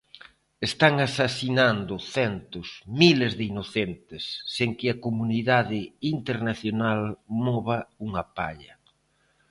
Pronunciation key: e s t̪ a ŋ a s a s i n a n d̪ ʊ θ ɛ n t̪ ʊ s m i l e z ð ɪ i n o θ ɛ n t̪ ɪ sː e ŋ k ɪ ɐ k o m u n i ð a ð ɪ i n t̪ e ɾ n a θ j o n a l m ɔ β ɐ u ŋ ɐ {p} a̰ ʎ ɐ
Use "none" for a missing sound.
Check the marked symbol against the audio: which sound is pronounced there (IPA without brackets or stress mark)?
p